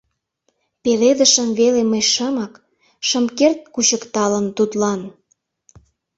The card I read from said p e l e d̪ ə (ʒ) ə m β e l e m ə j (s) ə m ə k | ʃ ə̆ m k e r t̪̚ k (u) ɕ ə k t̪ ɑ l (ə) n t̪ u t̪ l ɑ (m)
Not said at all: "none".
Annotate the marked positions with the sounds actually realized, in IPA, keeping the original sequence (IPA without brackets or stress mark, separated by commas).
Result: ʃ, ʃ, u, ə, n